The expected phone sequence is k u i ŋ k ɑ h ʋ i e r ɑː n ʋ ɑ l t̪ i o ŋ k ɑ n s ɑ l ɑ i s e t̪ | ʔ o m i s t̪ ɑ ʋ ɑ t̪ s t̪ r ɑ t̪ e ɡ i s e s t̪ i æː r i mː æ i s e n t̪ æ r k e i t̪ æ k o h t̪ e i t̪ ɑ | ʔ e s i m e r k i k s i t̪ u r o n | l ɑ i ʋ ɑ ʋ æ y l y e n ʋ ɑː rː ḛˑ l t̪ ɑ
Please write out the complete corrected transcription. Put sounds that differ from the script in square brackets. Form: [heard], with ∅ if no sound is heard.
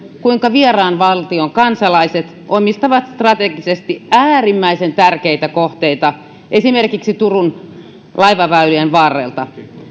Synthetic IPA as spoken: k u i ŋ k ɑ [∅] ʋ i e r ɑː n ʋ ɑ l t̪ i o ŋ k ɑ n s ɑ l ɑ i s e t̪ | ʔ o m i s t̪ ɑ ʋ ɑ t̪ s t̪ r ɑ t̪ e ɡ i s e s t̪ i æː r i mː æ i s e n t̪ æ r k e i t̪ æ k o h t̪ e i t̪ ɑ | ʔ e s i m e r k i k s i t̪ u r [u] n | l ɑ i ʋ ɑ ʋ æ y l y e n ʋ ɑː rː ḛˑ l t̪ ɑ